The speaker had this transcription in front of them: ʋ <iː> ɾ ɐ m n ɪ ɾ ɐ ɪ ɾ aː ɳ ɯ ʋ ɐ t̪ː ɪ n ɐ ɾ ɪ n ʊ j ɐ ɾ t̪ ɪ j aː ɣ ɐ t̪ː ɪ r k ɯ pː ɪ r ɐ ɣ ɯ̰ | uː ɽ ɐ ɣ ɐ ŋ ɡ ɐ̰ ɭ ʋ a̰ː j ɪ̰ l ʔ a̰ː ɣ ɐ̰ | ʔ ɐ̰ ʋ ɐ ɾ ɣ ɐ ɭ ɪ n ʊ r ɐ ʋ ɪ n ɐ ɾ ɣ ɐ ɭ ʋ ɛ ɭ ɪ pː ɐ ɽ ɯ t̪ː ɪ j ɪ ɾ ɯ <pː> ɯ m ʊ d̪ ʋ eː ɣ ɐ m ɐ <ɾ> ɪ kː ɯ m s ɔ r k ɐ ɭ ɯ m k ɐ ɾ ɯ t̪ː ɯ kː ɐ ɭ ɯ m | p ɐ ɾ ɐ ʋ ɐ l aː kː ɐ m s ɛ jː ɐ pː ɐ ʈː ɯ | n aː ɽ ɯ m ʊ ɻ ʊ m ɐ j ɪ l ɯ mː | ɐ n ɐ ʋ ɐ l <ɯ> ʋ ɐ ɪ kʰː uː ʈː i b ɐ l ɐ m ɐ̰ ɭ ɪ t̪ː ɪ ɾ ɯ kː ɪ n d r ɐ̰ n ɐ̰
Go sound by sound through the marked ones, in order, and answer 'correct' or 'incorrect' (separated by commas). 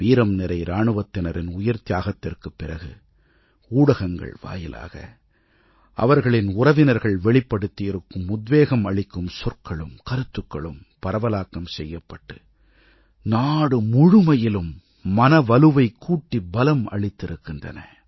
correct, incorrect, incorrect, correct